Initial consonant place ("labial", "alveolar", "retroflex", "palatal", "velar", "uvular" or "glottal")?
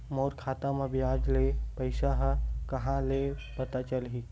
labial